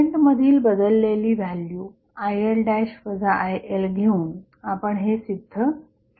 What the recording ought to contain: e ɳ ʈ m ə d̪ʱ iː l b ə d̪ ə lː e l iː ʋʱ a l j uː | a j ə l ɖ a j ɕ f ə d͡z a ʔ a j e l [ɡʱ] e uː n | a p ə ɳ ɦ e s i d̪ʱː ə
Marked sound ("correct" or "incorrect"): correct